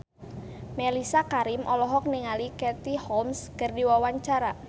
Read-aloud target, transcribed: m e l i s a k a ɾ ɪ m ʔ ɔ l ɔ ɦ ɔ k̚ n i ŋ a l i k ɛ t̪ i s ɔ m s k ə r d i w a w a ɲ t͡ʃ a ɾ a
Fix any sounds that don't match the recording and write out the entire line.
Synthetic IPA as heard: m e l i s a k a ɾ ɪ m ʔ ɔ l ɔ ɦ ɔ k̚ n i ŋ a l i k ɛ t̪ i h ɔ m s k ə r d i w a w a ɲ t͡ʃ a ɾ a